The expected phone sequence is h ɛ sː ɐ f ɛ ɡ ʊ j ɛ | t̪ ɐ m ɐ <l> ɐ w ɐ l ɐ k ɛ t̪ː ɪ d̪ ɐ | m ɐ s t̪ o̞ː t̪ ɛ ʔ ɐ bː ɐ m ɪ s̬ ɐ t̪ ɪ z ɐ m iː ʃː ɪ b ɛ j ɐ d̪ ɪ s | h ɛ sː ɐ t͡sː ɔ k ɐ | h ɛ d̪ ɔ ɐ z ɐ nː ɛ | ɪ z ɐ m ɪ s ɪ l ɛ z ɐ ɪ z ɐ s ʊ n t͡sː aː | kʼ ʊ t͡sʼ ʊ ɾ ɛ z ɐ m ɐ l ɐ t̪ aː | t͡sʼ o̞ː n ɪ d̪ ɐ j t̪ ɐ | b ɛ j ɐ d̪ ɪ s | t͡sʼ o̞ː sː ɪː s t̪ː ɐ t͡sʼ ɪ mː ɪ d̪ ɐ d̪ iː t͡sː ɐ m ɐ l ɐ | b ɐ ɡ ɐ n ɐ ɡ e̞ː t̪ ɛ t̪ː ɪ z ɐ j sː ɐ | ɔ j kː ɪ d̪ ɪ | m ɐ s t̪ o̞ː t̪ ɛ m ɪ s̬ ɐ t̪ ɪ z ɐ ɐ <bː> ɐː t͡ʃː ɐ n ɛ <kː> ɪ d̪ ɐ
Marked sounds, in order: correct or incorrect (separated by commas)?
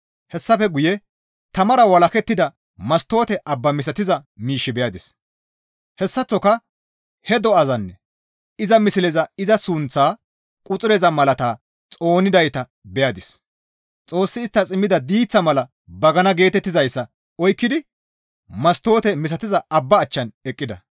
incorrect, correct, incorrect